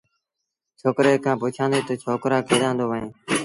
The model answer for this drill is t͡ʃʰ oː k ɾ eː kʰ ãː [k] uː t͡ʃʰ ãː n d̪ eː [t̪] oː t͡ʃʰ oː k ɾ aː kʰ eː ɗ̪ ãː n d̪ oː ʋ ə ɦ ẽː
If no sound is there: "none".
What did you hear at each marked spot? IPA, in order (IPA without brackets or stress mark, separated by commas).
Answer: p, t̪